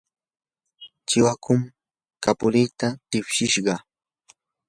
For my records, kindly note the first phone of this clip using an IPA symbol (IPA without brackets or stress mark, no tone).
t͡ʃ